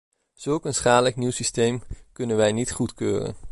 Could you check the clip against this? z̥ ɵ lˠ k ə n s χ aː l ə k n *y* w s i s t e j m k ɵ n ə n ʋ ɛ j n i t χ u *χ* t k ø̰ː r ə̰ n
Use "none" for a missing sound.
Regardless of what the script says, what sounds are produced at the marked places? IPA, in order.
i, none

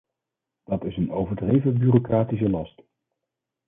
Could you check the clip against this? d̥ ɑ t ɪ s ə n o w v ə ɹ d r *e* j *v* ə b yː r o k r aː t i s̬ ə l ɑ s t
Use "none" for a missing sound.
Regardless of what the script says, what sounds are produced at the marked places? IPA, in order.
e, v

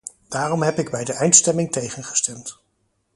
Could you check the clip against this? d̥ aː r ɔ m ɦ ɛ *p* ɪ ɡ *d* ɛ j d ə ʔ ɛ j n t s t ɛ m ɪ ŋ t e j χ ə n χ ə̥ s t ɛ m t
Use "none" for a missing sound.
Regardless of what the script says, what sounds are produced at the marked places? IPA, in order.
p, b

